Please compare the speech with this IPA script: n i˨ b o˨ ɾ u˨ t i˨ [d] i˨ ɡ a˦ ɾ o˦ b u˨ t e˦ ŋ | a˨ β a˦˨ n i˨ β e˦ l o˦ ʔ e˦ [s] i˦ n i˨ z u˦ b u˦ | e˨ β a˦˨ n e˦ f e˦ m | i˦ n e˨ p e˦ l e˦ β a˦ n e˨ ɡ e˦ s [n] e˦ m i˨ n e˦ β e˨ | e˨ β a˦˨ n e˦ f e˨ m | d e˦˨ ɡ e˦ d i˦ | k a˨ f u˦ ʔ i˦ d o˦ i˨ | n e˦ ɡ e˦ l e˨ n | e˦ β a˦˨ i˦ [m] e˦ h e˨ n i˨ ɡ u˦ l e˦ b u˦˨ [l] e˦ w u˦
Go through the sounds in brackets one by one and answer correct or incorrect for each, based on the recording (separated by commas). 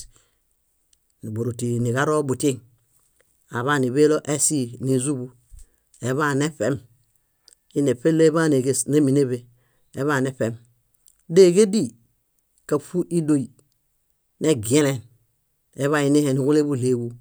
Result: incorrect, correct, correct, incorrect, correct